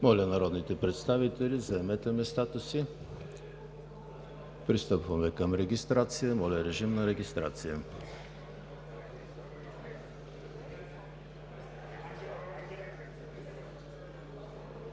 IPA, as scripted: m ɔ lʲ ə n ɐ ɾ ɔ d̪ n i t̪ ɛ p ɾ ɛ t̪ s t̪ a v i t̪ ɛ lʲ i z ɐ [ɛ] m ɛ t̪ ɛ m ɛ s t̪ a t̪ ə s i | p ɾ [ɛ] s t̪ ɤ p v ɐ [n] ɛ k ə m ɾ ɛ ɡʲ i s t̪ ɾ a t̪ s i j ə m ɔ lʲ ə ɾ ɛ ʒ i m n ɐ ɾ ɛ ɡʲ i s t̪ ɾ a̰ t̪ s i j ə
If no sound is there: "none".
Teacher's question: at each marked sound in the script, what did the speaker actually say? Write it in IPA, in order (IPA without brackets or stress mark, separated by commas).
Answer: ɛ, i, m